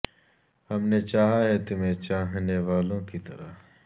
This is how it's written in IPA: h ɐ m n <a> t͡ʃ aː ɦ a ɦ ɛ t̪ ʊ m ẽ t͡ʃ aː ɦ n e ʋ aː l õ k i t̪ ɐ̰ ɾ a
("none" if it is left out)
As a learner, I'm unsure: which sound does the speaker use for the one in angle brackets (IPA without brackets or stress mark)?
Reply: e